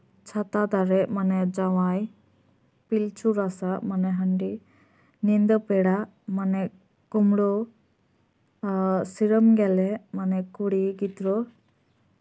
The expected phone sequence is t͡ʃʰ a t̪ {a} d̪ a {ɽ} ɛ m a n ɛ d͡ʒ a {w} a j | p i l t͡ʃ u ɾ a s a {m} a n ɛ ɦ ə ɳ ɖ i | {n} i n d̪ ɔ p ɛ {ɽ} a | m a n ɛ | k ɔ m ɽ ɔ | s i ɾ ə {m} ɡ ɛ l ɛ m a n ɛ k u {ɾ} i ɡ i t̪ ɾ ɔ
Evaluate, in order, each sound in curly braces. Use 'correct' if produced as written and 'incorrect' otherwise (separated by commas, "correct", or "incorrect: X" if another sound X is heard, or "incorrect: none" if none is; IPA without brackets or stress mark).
correct, incorrect: ɾ, correct, correct, correct, correct, correct, incorrect: ɽ